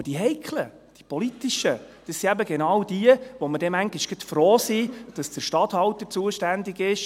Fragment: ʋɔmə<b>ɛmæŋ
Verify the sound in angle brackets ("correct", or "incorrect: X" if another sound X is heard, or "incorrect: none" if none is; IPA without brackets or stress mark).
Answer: incorrect: d